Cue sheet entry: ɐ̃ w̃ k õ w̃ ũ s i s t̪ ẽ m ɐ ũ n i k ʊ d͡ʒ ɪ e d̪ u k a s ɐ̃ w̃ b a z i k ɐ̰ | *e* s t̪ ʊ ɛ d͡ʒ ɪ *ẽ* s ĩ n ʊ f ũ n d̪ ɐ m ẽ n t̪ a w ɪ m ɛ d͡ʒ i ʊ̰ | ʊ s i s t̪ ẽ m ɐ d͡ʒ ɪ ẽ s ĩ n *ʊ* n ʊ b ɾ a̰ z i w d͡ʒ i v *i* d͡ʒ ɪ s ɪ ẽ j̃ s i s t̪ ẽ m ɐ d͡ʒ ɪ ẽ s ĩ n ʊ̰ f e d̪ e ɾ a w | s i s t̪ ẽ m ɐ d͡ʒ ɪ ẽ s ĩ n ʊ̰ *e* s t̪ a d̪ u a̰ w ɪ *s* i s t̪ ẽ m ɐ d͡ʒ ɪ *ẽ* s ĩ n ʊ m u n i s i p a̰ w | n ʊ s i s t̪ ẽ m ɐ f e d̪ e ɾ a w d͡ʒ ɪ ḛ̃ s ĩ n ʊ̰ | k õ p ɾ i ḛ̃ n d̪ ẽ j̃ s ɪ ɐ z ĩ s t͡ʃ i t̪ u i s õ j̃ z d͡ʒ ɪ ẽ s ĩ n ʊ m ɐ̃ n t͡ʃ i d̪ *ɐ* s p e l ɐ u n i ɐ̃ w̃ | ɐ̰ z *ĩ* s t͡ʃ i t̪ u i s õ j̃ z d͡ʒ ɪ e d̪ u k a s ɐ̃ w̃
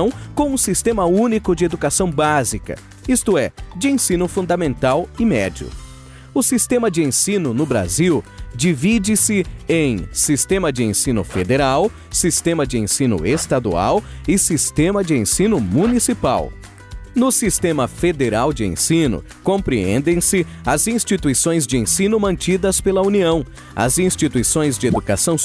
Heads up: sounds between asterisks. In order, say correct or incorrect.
incorrect, correct, correct, correct, correct, correct, correct, correct, correct

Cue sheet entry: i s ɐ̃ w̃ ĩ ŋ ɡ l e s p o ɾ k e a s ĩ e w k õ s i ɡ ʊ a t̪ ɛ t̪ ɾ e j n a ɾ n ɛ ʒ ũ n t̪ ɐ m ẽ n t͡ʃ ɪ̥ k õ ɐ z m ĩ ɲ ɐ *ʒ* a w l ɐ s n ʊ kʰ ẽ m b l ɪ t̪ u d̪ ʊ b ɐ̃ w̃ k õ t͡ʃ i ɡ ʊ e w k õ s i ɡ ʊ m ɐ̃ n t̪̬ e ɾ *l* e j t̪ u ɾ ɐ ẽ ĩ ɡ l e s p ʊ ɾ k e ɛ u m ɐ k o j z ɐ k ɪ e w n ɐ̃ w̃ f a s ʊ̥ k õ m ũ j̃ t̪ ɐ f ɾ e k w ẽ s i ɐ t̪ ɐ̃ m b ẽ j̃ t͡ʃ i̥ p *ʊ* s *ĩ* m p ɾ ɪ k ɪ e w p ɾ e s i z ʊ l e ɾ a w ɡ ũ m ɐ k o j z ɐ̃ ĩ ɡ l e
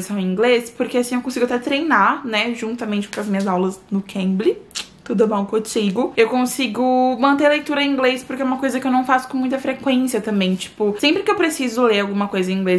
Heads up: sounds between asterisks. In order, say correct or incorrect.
incorrect, correct, correct, incorrect

